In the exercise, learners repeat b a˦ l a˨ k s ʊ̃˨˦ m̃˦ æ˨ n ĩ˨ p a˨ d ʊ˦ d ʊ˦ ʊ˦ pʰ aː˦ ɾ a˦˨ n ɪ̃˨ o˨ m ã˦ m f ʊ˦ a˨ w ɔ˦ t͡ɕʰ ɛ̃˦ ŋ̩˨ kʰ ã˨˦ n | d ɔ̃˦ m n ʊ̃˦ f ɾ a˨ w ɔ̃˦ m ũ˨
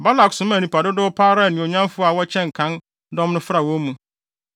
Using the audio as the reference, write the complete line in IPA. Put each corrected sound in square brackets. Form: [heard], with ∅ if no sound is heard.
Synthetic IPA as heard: b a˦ l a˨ k s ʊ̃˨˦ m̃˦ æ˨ n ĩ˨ p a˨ d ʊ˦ d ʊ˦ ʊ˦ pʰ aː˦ ɾ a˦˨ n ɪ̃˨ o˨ [ɲ] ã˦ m f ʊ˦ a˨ w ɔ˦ t͡ɕʰ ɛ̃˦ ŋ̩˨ kʰ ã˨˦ n | d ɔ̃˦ m n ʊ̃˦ f ɾ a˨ w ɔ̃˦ m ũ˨